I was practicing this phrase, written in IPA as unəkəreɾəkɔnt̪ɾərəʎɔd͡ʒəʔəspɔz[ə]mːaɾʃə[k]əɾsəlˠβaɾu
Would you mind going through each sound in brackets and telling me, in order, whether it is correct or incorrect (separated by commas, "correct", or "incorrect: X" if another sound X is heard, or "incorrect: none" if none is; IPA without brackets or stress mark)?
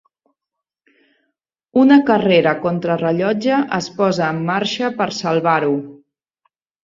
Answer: incorrect: əː, incorrect: p